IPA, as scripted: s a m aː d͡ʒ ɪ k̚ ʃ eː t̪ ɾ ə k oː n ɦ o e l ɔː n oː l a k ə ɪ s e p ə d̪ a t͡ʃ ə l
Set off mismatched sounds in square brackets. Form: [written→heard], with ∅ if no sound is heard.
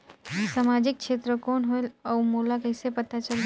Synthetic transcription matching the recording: s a m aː d͡ʒ ɪ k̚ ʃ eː t̪ ɾ ə k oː n ɦ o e l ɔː [n→m] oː l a k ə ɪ s e p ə [d̪→t̪] a t͡ʃ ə l